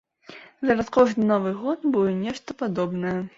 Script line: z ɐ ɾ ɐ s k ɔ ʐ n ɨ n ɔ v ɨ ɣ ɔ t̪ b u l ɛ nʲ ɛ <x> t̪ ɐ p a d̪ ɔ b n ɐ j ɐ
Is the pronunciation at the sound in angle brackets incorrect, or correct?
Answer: incorrect